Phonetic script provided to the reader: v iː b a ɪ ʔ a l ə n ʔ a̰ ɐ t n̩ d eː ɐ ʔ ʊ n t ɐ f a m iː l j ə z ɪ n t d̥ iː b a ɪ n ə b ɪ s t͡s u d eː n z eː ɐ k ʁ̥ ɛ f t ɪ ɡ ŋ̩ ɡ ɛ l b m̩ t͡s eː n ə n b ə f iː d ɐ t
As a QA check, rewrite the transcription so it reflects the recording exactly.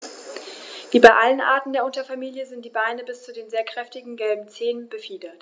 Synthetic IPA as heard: v iː b a ɪ ʔ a l ə n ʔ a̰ ɐ t n̩ d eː ɐ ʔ ʊ n t ɐ f a m iː l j ə z ɪ n t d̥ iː b a ɪ n ə b ɪ s t͡s u d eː n z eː ɐ k ʁ̥ ɛ f t ɪ ɡ ŋ̩ ɡ ɛ l b m̩ t͡s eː n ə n b ə f iː d ɐ t